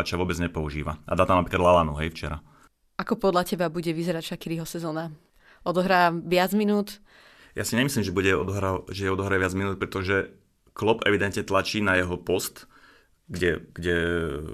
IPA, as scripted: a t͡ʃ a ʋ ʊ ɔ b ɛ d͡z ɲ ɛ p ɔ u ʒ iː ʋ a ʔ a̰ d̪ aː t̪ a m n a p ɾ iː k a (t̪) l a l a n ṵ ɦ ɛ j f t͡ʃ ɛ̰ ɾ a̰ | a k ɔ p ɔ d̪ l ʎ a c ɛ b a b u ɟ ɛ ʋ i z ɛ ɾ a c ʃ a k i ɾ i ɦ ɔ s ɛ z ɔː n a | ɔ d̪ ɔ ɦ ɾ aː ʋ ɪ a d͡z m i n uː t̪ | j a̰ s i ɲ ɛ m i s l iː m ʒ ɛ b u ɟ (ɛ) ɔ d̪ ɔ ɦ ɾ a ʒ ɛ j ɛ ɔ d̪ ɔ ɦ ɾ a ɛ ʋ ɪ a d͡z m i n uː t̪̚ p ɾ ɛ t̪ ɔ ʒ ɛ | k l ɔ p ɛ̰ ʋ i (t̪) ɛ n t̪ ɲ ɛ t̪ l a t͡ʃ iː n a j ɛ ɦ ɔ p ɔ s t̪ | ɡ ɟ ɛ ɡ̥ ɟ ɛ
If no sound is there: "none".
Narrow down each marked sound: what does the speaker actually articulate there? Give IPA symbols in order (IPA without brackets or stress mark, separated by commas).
d̪, ɛ, d̪